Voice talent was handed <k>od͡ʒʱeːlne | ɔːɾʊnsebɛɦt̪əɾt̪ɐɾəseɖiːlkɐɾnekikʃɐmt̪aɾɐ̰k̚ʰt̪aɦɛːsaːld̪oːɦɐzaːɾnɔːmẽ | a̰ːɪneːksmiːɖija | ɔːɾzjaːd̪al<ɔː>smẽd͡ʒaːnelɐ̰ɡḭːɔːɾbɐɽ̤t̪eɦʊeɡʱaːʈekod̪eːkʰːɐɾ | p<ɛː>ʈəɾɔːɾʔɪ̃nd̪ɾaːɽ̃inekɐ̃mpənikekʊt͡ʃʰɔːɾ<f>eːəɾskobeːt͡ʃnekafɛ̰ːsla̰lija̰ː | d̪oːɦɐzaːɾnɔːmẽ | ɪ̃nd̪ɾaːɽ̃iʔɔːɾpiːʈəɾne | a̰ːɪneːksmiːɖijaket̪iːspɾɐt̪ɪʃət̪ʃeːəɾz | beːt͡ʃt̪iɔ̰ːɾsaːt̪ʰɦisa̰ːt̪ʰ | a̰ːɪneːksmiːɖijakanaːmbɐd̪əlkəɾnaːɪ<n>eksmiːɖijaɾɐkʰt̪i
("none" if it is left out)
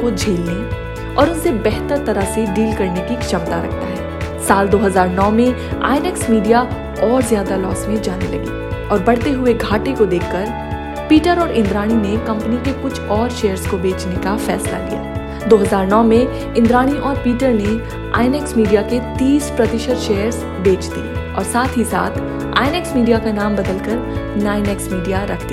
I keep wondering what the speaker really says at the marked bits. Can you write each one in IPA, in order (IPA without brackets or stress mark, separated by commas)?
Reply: k, ɔː, iː, ʃ, n